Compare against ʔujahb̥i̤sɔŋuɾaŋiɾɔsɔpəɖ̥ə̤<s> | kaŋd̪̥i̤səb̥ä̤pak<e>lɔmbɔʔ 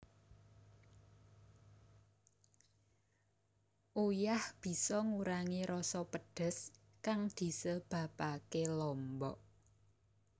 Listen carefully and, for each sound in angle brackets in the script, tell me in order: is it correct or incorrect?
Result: correct, correct

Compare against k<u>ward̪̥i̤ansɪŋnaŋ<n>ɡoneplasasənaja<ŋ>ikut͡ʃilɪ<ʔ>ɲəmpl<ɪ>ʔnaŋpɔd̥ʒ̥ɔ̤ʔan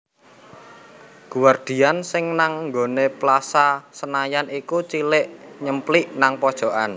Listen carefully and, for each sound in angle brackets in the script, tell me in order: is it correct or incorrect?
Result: correct, incorrect: ŋ, incorrect: n, correct, incorrect: i

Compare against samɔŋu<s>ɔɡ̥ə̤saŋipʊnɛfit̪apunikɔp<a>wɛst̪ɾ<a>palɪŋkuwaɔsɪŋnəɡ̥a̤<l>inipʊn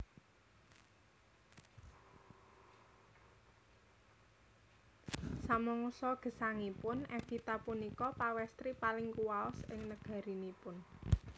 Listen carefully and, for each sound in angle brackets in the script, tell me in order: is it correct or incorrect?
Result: correct, correct, incorrect: i, incorrect: ɾ

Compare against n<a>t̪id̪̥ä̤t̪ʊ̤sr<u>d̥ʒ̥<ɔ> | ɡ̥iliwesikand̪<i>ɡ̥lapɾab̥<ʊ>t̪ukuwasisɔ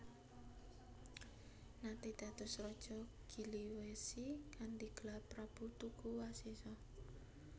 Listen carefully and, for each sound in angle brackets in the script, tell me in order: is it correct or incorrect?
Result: correct, incorrect: ɔ, correct, correct, incorrect: u

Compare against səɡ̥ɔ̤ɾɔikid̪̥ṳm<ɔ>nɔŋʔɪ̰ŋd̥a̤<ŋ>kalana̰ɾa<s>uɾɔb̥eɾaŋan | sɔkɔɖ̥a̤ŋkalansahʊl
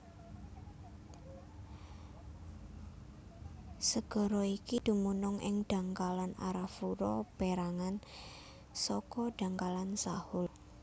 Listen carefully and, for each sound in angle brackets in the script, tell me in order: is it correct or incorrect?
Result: incorrect: u, correct, incorrect: f

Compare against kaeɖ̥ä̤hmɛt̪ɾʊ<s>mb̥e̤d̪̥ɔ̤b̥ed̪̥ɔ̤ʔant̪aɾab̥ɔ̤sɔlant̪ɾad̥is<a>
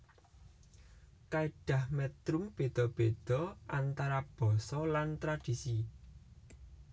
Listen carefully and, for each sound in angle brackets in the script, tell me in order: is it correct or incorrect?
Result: incorrect: none, incorrect: i

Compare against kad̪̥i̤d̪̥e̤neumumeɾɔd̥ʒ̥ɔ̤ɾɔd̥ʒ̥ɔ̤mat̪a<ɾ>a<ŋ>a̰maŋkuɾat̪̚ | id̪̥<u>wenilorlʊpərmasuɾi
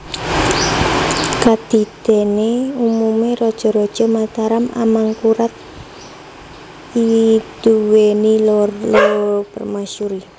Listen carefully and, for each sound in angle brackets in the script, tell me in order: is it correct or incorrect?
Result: correct, incorrect: m, correct

